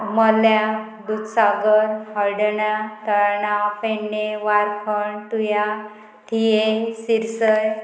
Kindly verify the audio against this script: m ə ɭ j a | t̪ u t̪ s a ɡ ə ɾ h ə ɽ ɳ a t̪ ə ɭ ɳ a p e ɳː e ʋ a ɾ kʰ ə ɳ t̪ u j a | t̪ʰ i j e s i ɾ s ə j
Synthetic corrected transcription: m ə l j a | d̪ u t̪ s a ɡ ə ɾ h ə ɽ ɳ a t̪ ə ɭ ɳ a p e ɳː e ʋ a ɾ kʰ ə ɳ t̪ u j a | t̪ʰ i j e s i ɾ s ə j